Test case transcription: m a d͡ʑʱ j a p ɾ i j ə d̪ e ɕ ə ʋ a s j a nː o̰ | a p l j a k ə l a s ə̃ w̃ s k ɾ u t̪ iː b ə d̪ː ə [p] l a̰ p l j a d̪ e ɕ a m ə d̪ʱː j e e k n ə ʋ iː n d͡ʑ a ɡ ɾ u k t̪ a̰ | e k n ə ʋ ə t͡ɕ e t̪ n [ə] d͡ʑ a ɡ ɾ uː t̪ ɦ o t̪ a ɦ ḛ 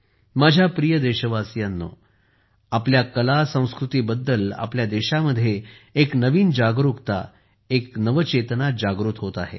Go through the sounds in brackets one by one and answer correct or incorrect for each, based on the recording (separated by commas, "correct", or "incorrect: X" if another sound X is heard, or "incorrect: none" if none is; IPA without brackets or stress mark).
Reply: incorrect: none, incorrect: a